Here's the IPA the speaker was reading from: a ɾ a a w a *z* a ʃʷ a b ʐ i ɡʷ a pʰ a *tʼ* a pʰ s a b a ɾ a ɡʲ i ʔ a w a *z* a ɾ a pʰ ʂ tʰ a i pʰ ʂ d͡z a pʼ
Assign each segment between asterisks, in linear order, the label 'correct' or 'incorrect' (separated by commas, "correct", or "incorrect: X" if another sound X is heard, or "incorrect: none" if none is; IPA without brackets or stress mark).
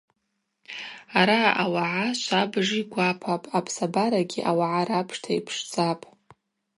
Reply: incorrect: ʕ, incorrect: pʼ, incorrect: ʕ